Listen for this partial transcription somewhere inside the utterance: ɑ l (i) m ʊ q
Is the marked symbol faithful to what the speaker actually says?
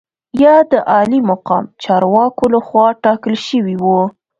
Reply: yes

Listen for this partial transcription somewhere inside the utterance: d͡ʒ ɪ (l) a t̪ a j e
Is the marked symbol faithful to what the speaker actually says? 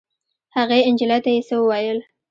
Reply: yes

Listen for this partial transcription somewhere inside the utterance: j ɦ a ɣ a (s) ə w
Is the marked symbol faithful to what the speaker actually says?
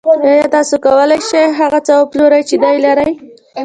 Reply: no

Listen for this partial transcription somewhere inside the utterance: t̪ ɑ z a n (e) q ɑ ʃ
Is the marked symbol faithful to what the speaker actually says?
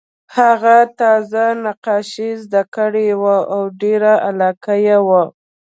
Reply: no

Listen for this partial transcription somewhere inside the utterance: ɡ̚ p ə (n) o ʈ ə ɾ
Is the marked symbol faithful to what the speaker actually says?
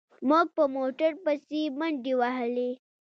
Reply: no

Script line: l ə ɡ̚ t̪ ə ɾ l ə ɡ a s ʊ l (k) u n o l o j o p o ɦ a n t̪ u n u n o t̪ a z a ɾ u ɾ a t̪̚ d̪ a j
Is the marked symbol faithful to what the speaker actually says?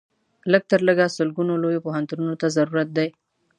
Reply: no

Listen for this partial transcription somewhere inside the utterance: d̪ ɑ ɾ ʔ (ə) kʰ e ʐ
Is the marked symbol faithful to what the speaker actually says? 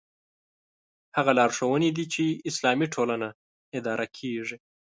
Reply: no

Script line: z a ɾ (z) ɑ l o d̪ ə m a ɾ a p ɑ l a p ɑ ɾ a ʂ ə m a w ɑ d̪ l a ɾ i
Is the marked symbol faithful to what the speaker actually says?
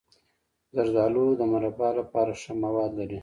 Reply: yes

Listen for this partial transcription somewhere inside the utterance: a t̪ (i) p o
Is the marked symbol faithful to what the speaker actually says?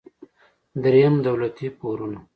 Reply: yes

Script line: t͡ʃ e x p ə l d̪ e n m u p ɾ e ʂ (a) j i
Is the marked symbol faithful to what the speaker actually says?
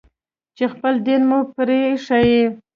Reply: yes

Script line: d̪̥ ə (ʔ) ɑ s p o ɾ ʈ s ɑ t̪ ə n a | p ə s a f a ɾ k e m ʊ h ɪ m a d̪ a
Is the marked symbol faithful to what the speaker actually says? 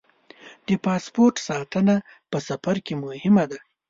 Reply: no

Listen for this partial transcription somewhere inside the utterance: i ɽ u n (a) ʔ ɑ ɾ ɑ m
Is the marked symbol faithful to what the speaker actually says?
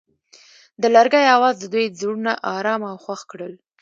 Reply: yes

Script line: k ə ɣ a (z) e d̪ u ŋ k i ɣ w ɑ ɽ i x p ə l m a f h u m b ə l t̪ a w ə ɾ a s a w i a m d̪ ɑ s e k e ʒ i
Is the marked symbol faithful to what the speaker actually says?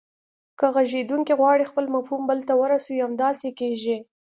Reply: no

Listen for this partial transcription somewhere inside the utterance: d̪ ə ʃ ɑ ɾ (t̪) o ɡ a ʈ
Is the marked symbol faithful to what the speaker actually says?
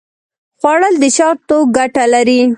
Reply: yes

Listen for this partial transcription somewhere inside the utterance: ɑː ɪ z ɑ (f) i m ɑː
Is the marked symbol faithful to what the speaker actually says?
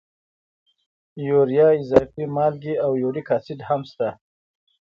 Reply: yes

